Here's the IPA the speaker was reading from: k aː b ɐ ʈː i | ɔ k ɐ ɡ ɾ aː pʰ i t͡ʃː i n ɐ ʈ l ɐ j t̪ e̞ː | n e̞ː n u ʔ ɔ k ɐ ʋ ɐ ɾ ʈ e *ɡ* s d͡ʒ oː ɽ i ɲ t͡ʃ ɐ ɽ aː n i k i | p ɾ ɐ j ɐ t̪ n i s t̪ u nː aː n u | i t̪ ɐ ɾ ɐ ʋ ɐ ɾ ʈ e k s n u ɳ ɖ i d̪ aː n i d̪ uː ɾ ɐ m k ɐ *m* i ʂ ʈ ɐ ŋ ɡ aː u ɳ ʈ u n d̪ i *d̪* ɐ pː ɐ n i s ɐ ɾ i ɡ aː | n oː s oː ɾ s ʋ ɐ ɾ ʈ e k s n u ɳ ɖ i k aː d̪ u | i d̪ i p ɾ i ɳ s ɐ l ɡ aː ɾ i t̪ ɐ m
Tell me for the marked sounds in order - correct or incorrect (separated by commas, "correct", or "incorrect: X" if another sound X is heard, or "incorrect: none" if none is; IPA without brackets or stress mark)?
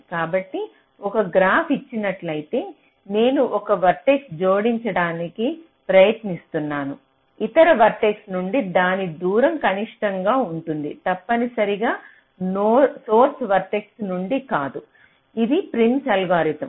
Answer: incorrect: k, incorrect: n, incorrect: t̪